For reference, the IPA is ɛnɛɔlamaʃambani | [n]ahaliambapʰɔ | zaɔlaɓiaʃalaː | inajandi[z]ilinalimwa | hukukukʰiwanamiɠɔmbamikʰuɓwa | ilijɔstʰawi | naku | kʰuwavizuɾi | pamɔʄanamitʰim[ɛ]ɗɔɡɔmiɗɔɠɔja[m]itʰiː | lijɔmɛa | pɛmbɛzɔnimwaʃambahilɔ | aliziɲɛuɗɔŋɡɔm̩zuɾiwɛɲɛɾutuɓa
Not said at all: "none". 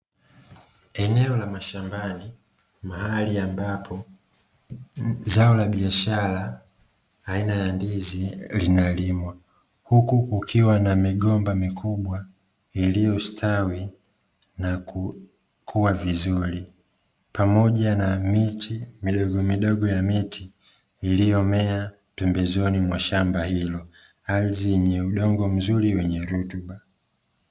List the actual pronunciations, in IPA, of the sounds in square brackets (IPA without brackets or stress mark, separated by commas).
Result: m, z, i, m